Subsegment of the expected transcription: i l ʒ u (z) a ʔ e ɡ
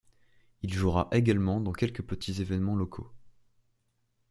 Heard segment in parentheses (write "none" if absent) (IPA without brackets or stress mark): ʁ